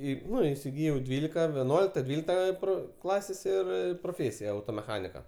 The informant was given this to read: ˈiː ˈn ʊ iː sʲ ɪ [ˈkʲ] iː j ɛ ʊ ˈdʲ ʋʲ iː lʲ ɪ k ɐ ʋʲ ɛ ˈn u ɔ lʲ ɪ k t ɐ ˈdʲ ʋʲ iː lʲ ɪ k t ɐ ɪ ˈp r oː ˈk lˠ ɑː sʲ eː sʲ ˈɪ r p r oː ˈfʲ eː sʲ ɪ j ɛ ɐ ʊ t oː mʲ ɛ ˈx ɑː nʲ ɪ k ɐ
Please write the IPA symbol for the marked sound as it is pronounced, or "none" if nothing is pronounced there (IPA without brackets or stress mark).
ɡʲ